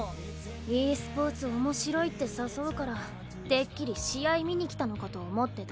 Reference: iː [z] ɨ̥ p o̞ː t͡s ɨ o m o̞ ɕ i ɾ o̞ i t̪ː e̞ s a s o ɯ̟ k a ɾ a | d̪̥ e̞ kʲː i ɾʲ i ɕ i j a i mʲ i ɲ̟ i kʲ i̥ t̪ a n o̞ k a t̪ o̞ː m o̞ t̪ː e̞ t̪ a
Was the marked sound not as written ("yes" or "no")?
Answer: yes